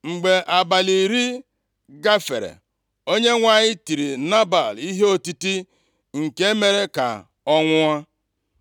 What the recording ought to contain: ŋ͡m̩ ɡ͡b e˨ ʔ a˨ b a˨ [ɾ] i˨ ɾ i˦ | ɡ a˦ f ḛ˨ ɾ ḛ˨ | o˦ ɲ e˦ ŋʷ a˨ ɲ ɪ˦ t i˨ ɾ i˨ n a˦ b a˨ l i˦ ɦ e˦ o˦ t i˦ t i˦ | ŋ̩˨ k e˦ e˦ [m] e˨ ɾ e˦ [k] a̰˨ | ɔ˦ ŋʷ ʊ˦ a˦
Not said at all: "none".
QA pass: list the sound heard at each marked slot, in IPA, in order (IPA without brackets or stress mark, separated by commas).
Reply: l, m, k